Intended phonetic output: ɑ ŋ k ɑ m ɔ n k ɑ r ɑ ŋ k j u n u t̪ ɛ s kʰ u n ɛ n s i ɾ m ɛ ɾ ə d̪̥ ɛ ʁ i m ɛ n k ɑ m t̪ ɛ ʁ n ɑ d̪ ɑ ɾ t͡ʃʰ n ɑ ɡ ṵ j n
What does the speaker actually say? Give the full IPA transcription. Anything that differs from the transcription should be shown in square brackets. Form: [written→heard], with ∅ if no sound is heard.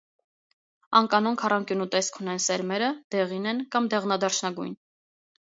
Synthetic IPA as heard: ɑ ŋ k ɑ [m→n] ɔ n [k→kʰ] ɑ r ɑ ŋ k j u n u t̪ ɛ s kʰ u n ɛ n s [i→ɛ] ɾ m ɛ ɾ ə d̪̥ ɛ ʁ i [m→n] ɛ n k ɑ m [t̪→d̪] ɛ ʁ n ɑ d̪ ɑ ɾ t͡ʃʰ n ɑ ɡ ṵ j n